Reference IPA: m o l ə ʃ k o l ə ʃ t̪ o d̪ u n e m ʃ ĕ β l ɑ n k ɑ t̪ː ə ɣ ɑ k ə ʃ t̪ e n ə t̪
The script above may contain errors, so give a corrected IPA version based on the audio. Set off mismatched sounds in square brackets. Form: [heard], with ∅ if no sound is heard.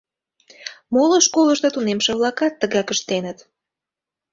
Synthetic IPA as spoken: m o l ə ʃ k o l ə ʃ t̪ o [t̪] u n e m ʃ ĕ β l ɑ [∅] k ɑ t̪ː ə ɣ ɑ k ə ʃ t̪ e n ə t̪